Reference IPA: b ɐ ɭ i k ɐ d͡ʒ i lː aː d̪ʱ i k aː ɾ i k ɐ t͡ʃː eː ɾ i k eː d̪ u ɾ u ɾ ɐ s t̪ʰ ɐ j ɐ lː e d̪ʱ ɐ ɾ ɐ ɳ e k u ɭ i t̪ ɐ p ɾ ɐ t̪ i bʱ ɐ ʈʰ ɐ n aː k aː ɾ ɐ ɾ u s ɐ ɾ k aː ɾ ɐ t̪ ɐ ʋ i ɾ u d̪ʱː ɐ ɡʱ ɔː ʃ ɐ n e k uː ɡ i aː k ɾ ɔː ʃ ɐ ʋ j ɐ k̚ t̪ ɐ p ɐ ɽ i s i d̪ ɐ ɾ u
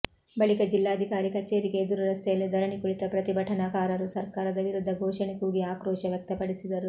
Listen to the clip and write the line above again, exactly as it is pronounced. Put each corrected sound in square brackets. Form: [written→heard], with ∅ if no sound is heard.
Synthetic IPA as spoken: b ɐ ɭ i k ɐ d͡ʒ i lː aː d̪ʱ i k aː ɾ i k ɐ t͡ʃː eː ɾ i k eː d̪ u ɾ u ɾ ɐ s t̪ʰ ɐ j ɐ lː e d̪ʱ ɐ ɾ ɐ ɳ [e→i] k u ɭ i t̪ ɐ p ɾ ɐ t̪ i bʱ ɐ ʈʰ ɐ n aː k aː ɾ ɐ ɾ u s ɐ ɾ k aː ɾ ɐ [t̪→d̪] ɐ ʋ i ɾ u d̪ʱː ɐ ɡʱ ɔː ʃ ɐ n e k uː ɡ i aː k ɾ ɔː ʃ ɐ ʋ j ɐ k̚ t̪ ɐ p ɐ ɽ i s i d̪ ɐ ɾ u